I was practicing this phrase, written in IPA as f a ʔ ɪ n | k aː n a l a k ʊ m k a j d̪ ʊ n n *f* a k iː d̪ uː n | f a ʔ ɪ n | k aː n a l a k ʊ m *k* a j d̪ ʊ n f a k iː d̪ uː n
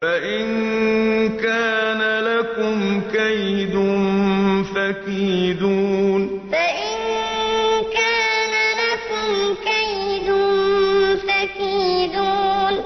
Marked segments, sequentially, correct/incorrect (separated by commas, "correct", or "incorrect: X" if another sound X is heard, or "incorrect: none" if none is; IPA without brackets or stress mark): correct, correct